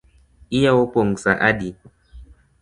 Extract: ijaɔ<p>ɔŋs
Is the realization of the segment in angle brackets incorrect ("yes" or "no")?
no